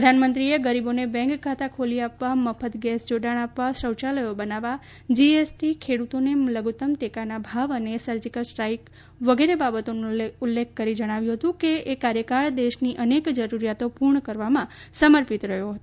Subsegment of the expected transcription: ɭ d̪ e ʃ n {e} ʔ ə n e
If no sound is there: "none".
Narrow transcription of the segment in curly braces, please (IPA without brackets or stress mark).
i